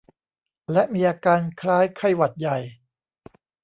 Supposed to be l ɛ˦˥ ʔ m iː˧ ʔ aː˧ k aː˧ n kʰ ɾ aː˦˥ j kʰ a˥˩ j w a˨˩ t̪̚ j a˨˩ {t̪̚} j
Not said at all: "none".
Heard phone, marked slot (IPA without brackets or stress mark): none